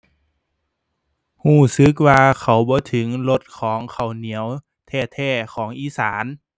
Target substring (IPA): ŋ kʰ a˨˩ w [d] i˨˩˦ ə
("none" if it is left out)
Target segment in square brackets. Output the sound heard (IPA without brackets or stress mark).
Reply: n